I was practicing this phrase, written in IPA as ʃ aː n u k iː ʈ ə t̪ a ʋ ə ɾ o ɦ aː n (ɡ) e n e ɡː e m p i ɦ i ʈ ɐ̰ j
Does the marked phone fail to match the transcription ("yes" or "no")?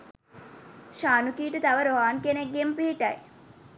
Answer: yes